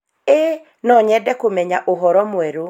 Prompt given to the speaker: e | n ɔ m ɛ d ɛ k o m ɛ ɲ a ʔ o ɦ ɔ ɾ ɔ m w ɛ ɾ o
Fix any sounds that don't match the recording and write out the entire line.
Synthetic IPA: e | n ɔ ɲ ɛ d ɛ k o m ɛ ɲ a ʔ o ɦ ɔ ɾ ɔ m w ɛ ɾ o

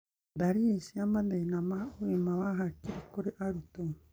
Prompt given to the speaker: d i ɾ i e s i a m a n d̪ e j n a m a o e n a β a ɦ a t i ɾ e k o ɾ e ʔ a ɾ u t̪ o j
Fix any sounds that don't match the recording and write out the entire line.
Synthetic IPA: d a ɾ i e s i a m a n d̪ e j n a m a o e m a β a ɦ a k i ɾ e k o ɾ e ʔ a ɾ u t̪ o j

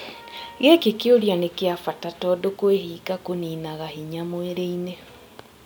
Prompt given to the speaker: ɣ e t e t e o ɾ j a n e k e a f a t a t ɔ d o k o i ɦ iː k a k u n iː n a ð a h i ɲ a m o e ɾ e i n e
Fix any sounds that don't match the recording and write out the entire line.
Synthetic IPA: ɣ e k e k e o ɾ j a n e k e a f a t a t ɔ d o k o e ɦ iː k a k o n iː n a ɣ a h i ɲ a m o e ɾ e i n e

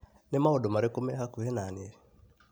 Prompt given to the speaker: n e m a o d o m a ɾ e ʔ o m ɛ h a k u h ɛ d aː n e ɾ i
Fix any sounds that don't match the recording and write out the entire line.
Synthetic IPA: n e m a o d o m a ɾ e k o m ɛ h a k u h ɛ n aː n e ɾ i

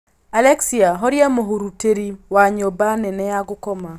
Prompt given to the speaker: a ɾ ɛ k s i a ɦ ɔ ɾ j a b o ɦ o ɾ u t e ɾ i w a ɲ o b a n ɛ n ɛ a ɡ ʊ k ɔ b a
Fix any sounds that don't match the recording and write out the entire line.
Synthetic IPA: a l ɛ k s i a ɦ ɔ ɾ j a m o ɦ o ɾ u t e ɾ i w a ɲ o b a n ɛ n ɛ a ɡ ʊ k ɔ m a

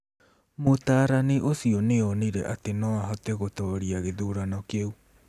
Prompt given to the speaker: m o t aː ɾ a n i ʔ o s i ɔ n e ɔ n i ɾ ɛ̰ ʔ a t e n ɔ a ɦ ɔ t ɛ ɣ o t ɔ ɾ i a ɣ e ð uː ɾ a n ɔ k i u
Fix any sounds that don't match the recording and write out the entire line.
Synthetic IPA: m o t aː ɾ a n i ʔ o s i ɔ n e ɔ n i ɾ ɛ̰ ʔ a t e n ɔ a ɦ ɔ t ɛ ɣ o t ɔ ɾ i a ɣ e ð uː ɾ a n ɔ k e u

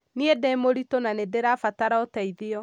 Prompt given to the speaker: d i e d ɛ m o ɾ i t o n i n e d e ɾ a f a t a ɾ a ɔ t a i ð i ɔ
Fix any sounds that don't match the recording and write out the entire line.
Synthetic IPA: n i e d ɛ m o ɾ i t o n a n e d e ɾ a f a t a ɾ a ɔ t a i ð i ɔ

